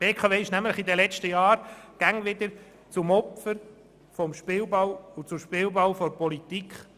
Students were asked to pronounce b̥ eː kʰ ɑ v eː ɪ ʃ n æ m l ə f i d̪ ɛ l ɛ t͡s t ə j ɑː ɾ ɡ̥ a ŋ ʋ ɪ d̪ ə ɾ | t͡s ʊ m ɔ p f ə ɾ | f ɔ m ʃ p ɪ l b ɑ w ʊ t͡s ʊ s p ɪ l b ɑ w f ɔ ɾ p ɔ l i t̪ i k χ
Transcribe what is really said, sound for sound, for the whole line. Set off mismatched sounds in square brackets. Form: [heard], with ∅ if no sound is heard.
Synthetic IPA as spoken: b̥ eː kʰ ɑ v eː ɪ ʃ n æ m l ə [χ] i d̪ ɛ l ɛ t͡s t ə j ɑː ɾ ɡ̥ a ŋ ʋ ɪ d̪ ə ɾ | t͡s ʊ m ɔ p f ə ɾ | f ɔ m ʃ p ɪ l b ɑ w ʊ t͡s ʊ [ʃ] p ɪ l b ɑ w f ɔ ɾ p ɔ l i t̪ i k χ